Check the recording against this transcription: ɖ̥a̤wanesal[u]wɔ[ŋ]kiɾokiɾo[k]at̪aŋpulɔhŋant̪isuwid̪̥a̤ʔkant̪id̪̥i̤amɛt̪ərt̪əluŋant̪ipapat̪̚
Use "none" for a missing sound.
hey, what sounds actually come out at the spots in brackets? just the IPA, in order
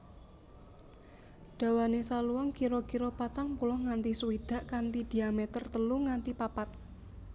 u, ŋ, p

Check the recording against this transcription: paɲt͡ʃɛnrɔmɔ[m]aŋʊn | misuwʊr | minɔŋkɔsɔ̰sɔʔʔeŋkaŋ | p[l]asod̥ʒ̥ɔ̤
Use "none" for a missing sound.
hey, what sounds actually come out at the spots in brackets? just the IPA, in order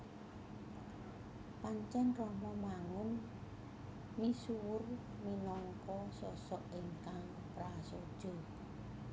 m, ɾ

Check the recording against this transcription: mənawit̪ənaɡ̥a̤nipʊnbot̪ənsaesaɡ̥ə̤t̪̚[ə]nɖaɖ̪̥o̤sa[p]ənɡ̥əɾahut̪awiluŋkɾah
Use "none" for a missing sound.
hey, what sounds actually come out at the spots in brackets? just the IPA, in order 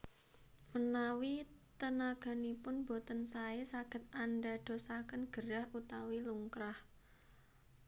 a, k

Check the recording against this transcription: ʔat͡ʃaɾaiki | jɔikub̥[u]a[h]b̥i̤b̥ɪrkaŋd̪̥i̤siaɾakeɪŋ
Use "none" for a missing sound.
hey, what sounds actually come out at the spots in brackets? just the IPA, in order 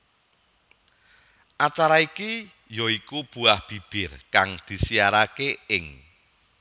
u, h

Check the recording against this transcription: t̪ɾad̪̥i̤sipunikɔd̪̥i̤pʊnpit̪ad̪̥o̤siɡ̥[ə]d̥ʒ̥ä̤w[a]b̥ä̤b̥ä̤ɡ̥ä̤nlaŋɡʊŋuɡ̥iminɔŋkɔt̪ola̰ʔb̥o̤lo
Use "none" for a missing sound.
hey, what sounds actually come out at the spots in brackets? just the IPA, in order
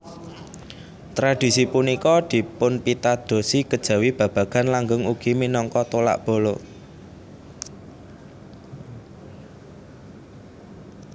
ə, i

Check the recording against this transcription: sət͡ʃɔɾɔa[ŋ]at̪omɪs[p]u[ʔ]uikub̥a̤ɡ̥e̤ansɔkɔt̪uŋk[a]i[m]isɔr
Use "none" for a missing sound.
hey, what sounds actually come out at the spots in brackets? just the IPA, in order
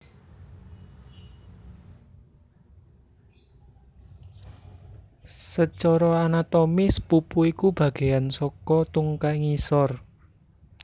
n, p, p, a, ŋ

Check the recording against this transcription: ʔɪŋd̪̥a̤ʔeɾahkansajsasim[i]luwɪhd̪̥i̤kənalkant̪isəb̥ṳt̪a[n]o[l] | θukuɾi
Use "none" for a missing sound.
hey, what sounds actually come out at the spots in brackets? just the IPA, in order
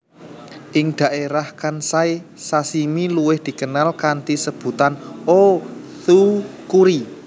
i, n, none

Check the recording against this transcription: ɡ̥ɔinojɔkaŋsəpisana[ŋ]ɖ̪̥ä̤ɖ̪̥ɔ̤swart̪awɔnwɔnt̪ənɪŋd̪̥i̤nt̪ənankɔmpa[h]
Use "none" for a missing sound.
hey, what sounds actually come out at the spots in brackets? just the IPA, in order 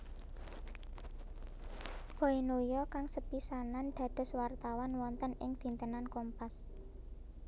n, s

